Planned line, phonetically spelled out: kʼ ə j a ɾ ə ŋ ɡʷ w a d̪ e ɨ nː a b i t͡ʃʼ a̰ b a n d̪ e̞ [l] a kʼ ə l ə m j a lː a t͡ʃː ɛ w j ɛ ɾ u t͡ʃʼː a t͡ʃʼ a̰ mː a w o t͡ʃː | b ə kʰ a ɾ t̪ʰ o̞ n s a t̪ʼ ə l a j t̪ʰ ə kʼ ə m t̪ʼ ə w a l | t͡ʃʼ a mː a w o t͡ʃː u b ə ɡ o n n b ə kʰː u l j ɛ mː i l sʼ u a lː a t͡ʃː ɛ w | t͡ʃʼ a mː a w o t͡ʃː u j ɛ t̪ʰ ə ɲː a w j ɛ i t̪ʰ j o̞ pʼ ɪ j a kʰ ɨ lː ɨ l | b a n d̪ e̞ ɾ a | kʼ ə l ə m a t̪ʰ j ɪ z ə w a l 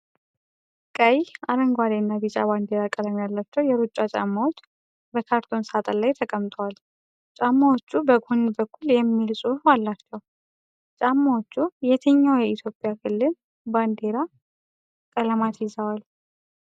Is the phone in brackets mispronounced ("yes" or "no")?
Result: yes